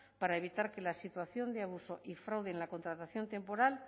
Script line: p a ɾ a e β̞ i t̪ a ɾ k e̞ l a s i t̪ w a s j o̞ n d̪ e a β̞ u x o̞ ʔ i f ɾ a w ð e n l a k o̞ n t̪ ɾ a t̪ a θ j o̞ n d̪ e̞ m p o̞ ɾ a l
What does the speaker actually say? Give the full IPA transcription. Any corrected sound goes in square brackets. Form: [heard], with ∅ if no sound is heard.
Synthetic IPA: p a ɾ a e β̞ i t̪ a ɾ k e̞ l a s i t̪ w a [θ] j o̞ n d̪ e a β̞ u [s] o̞ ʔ i f ɾ a w ð e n l a k o̞ n t̪ ɾ a t̪ a θ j o̞ n [t̪] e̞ m p o̞ ɾ a l